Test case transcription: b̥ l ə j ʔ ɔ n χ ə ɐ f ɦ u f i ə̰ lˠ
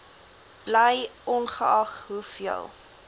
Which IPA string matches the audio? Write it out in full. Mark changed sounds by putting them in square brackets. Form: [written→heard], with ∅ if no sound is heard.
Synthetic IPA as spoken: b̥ l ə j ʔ ɔ n χ ə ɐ [f→χ] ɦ u f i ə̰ lˠ